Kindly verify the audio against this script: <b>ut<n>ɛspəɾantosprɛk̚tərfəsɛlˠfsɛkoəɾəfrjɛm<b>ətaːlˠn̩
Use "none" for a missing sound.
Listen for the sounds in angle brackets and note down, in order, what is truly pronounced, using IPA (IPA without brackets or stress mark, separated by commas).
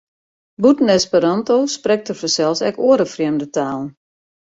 b, n, d